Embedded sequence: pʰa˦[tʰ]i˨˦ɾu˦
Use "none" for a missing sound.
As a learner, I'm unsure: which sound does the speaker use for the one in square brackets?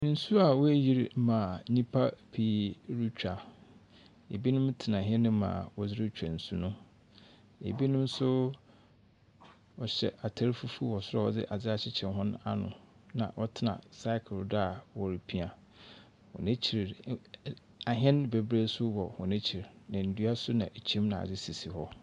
pʰ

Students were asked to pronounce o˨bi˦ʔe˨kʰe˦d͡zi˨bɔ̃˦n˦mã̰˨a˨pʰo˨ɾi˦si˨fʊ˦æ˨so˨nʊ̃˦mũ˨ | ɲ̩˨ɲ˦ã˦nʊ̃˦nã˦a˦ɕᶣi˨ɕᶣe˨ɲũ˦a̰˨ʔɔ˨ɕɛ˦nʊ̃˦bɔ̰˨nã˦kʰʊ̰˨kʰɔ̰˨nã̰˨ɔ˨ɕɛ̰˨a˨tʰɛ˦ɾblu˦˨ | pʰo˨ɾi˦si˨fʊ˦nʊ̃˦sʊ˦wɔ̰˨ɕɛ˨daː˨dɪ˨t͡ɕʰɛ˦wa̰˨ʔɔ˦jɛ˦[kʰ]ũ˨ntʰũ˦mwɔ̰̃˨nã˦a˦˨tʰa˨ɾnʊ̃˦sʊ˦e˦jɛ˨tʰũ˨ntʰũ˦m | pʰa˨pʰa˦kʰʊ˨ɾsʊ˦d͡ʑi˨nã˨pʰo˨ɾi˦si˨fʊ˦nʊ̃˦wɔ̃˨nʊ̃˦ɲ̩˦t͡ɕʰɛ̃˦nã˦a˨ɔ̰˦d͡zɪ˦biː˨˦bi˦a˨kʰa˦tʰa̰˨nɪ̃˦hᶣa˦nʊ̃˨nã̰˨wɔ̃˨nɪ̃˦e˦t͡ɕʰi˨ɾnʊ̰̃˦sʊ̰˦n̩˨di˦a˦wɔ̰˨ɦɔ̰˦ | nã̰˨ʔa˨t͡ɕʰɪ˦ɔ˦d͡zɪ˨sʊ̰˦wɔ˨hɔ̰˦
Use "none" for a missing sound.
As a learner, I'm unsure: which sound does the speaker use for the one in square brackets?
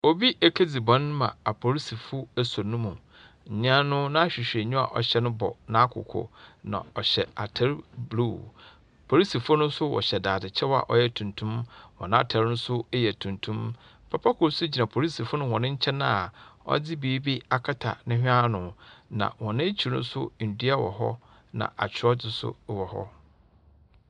tʰ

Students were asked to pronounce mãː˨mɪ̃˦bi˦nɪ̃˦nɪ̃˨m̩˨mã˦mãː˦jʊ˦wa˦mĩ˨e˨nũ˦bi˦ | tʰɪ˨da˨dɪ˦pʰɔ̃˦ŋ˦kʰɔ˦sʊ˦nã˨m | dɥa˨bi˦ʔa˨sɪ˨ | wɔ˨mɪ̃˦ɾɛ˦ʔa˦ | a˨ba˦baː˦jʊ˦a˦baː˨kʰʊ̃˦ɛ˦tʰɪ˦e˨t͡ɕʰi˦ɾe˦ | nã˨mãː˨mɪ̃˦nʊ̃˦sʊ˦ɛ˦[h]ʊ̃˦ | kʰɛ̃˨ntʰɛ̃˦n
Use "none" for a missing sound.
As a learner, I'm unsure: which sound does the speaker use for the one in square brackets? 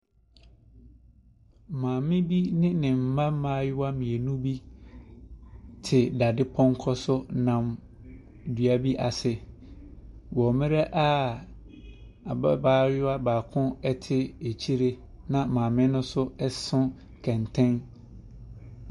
s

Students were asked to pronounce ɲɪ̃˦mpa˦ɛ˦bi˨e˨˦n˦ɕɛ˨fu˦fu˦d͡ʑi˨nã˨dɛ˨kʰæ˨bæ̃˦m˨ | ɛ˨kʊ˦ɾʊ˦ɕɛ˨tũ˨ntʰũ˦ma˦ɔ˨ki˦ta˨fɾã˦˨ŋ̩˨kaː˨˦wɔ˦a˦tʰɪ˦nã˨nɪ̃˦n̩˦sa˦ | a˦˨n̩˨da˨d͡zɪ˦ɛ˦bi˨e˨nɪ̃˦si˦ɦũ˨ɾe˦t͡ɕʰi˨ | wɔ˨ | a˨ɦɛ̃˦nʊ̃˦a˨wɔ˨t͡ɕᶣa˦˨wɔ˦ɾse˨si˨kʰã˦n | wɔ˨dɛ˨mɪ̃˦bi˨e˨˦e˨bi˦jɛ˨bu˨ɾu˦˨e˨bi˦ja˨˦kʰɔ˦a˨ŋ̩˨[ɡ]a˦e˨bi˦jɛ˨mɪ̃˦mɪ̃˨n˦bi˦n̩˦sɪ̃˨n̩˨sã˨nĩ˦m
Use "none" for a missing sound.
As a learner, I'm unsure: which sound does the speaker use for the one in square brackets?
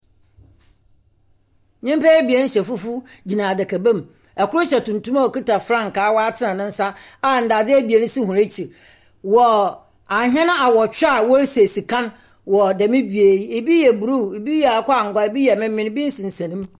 ɡ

